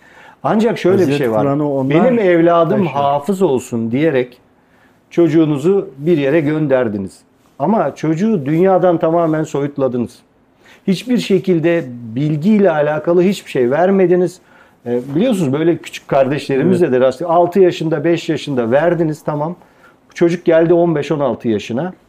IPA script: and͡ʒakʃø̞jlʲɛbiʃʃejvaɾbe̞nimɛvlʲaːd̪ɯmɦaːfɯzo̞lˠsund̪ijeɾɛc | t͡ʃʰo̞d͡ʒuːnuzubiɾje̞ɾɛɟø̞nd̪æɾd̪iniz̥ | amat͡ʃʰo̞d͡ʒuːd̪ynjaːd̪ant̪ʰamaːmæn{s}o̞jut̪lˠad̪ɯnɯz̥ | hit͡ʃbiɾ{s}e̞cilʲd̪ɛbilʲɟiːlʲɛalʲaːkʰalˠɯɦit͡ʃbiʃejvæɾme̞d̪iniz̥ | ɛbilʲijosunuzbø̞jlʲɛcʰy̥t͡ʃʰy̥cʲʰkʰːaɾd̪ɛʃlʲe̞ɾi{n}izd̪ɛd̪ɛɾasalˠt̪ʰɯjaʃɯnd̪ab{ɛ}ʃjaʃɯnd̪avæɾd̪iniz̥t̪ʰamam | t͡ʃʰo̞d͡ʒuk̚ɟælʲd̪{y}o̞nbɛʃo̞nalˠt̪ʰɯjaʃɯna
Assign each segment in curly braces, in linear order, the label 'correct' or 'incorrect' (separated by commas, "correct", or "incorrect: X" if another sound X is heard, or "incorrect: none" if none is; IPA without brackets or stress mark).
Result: correct, incorrect: ʃ, incorrect: m, correct, incorrect: i